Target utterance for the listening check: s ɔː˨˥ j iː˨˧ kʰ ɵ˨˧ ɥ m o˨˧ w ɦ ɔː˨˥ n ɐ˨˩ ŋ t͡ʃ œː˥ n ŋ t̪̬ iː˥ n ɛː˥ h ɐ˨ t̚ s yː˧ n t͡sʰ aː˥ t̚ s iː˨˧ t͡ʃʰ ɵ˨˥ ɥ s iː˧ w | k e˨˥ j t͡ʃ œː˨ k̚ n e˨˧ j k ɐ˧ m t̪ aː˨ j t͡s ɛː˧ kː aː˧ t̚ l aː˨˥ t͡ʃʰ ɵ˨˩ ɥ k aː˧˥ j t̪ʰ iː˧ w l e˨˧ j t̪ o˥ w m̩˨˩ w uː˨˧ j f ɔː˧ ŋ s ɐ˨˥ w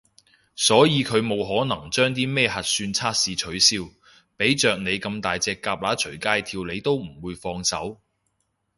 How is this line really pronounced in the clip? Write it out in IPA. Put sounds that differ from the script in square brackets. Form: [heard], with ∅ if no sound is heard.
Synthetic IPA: s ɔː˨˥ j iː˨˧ kʰ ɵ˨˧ ɥ m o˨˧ w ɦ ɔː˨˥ n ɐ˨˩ ŋ t͡ʃ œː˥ [∅] ŋ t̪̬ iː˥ [m] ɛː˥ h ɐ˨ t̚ s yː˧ n t͡sʰ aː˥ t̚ s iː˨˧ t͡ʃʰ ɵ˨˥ ɥ s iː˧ w | [p] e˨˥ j t͡ʃ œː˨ k̚ n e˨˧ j k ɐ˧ m t̪ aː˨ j t͡s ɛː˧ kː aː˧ [p̚] l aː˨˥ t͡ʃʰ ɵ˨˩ ɥ k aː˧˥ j t̪ʰ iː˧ w l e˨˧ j t̪ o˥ w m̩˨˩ w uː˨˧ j f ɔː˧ ŋ s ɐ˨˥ w